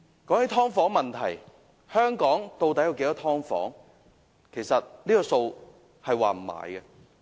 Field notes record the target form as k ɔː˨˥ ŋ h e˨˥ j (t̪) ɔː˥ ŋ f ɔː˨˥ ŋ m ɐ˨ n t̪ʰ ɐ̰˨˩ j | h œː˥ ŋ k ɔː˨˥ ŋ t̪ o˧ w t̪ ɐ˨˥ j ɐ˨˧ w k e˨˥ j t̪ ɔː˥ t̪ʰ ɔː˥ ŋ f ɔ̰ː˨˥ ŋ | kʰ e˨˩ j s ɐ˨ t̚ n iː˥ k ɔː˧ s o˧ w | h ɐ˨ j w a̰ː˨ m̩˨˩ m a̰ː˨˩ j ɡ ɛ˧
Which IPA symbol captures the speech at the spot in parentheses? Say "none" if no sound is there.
t̪ʰ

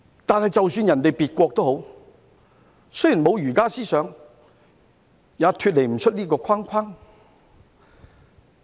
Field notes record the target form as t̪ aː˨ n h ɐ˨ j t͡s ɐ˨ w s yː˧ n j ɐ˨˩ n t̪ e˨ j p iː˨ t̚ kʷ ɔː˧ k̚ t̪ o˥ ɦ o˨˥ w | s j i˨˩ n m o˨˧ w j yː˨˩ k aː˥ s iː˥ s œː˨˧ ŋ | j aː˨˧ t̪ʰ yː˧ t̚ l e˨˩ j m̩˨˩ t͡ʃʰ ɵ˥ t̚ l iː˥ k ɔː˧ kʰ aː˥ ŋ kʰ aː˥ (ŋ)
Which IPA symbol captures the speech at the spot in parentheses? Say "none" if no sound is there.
ŋ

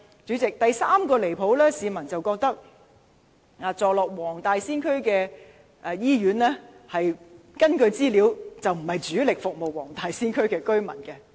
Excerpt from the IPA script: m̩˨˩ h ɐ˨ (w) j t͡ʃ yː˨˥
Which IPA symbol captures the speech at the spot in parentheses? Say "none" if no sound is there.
none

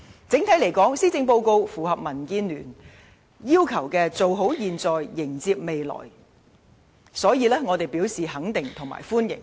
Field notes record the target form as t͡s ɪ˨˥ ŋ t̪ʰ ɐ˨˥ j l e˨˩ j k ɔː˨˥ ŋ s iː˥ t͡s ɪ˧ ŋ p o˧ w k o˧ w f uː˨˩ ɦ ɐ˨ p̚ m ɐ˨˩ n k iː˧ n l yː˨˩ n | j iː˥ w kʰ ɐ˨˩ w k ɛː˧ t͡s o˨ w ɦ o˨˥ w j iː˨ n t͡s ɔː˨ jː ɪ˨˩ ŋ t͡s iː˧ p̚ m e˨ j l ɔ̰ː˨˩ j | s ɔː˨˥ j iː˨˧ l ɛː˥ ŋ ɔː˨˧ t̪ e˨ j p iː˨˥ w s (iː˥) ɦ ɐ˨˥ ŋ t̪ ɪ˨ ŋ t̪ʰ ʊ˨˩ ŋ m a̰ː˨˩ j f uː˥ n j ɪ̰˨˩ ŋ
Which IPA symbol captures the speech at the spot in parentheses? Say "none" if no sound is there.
iː˨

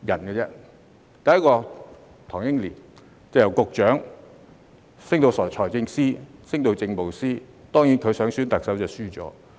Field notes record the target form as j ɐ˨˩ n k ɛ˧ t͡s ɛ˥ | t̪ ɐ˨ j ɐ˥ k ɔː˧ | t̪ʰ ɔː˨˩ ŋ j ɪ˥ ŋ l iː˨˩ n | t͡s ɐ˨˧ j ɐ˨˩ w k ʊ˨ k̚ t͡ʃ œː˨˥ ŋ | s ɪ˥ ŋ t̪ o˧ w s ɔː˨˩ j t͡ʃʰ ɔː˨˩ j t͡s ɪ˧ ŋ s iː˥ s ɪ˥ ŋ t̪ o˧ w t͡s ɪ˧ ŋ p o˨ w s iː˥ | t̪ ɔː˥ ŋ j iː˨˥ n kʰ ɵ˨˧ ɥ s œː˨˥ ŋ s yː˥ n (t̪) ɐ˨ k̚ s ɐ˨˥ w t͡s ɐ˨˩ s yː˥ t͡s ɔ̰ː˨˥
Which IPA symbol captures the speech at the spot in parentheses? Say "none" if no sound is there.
t̪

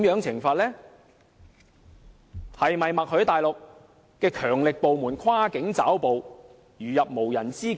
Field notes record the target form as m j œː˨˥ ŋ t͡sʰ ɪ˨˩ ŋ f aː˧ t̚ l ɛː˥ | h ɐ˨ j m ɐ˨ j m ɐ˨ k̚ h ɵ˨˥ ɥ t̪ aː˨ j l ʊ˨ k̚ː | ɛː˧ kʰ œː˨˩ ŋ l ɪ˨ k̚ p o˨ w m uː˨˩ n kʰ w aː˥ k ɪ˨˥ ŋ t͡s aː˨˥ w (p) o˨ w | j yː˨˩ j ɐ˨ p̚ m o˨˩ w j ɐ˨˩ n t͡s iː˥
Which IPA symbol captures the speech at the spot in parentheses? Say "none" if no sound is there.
p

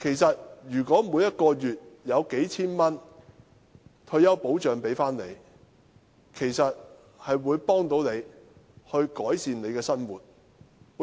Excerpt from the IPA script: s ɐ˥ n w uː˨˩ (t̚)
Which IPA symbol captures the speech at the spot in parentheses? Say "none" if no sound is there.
t̚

